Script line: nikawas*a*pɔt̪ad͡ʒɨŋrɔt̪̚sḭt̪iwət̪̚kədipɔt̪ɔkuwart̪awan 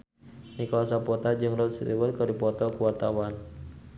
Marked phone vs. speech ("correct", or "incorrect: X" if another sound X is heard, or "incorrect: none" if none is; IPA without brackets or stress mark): correct